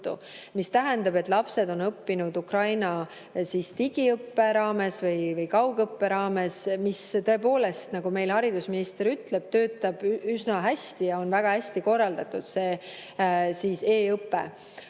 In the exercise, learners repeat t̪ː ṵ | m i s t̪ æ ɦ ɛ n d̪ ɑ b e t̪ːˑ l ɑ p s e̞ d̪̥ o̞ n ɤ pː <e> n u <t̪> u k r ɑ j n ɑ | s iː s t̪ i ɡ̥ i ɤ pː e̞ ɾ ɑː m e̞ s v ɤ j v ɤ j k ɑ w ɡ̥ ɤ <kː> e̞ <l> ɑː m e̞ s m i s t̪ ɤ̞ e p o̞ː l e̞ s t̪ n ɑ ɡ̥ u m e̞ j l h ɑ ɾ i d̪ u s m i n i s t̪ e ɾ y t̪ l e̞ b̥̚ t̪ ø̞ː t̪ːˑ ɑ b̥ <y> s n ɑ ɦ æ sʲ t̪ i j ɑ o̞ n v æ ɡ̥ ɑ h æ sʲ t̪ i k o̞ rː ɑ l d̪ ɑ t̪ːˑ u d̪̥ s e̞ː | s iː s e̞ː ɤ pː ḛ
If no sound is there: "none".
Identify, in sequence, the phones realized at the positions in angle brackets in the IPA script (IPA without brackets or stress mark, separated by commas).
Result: i, d̪, pː, ɾ, y